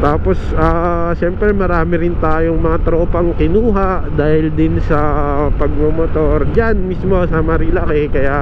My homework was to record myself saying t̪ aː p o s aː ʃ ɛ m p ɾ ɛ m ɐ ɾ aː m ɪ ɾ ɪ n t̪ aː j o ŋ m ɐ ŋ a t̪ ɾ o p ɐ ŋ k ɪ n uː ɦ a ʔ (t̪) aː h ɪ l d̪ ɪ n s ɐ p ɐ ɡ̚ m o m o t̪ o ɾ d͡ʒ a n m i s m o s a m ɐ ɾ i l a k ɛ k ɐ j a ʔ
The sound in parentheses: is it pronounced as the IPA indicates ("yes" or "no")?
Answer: no